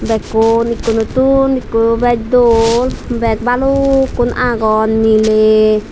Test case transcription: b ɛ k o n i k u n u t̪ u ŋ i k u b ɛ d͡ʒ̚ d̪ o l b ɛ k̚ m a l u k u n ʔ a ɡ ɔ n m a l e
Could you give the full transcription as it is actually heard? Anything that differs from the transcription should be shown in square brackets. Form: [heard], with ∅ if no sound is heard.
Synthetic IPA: b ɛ k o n i k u n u t̪ u [n] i k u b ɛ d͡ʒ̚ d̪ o l b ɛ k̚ [b] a l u k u n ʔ a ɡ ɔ n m [i] l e